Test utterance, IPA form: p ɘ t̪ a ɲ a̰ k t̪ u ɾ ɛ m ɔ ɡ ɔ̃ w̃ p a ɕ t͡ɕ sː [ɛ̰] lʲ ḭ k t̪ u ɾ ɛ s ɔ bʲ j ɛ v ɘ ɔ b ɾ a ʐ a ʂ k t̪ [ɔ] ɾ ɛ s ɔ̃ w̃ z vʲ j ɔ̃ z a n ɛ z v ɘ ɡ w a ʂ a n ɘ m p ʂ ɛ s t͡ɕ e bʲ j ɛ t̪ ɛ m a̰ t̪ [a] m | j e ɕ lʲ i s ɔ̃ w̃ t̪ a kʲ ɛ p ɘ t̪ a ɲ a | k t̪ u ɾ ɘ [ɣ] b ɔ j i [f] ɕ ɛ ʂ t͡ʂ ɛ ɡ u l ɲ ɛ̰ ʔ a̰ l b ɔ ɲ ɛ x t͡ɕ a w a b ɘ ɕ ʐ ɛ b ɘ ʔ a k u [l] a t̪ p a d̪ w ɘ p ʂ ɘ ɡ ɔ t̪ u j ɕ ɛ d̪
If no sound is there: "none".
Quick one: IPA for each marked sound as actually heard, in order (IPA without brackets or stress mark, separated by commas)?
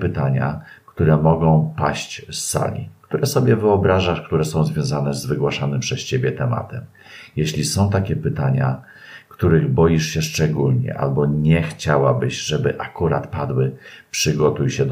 a̰, u, ɛ, ɣ, ʂ, ɾ